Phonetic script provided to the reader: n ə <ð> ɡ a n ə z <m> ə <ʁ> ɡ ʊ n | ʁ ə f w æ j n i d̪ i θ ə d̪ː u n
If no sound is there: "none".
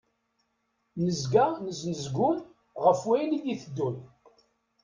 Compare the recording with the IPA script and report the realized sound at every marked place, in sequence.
z, n, z

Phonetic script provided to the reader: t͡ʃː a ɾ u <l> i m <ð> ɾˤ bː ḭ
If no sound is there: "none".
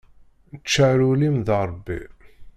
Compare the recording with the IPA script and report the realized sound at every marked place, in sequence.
l, ð

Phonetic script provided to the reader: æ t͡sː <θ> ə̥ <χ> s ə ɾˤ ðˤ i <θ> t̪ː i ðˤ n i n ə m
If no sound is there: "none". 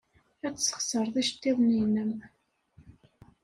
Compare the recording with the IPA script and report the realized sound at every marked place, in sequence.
s, χ, ʃ

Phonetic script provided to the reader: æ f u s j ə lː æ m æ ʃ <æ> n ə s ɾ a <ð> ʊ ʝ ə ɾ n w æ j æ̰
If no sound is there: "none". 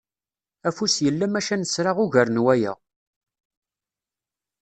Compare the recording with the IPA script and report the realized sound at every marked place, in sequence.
æ, ʁ

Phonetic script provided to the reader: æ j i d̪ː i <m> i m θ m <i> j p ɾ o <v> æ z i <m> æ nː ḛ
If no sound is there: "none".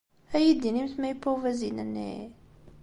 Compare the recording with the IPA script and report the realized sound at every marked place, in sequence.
n, æ, v, n

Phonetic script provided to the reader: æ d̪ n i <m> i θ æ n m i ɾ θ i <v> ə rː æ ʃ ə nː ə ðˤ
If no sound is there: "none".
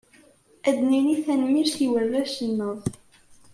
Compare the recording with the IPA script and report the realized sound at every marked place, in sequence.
n, w

